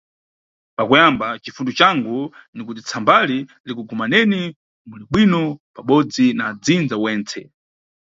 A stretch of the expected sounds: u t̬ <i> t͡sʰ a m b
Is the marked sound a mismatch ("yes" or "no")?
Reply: no